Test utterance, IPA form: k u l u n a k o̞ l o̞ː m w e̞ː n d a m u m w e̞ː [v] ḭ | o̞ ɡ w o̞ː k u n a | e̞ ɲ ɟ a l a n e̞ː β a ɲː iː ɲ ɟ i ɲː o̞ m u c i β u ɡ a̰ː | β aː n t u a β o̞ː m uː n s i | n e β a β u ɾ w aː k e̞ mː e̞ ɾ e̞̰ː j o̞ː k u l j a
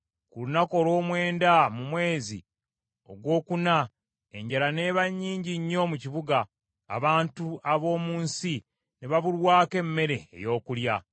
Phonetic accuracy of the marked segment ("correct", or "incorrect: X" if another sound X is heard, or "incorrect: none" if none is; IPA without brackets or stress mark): incorrect: z